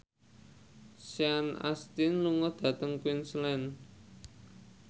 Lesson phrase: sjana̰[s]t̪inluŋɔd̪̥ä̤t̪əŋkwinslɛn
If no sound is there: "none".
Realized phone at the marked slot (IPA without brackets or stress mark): s